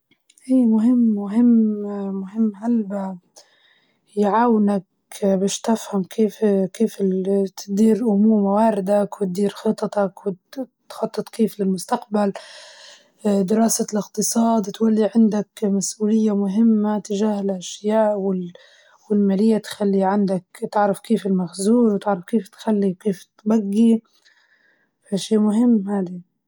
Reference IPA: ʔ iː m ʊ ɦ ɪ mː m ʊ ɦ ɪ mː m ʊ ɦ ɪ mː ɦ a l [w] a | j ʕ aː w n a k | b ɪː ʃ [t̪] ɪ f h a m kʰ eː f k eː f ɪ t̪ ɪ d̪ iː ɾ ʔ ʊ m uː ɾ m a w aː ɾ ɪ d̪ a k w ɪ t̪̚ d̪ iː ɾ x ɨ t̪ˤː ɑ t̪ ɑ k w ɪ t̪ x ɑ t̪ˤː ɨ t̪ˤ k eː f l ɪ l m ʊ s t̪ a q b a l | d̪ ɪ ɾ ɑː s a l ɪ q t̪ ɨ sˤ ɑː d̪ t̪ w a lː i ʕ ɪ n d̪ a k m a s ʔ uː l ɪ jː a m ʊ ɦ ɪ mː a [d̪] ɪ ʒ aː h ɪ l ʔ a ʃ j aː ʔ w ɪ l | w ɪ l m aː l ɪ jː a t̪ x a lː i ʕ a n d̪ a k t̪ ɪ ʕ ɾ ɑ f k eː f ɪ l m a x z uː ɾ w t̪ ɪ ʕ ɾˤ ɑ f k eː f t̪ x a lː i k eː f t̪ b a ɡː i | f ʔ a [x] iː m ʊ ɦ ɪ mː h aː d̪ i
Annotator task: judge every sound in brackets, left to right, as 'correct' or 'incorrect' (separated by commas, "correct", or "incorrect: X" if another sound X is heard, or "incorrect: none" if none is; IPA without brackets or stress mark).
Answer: incorrect: b, correct, incorrect: t̪, incorrect: ʃ